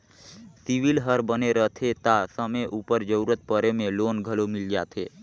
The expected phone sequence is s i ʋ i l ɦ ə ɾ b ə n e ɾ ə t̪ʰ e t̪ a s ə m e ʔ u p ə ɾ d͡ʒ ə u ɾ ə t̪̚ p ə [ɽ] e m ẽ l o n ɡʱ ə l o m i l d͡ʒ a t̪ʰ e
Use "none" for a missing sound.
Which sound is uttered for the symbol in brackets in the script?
ɾ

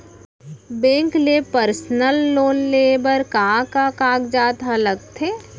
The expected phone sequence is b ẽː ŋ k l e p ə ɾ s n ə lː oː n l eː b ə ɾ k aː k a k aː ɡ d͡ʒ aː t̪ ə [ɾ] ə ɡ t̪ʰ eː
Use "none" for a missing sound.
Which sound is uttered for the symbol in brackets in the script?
l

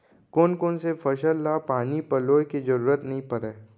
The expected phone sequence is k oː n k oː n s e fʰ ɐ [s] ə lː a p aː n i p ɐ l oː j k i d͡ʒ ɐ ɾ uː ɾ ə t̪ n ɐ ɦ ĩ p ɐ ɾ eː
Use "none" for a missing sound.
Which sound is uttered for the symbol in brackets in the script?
ʃ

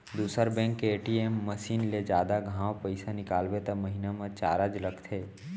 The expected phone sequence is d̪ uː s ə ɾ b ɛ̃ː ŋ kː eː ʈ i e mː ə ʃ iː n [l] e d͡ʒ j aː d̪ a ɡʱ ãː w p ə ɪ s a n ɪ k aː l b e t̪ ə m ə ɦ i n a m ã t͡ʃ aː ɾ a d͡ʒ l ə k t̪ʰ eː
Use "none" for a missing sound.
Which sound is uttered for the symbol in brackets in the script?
l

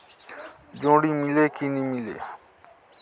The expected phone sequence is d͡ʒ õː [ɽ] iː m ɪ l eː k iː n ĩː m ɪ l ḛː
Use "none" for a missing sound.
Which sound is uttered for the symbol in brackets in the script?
ɽ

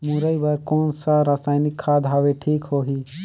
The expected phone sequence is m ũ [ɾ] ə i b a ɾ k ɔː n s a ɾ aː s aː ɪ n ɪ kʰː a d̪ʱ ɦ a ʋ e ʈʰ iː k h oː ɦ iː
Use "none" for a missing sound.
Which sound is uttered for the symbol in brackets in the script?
ɾ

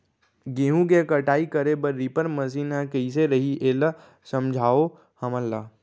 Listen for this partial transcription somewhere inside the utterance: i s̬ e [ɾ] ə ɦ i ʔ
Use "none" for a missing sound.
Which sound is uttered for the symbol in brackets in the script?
ɾ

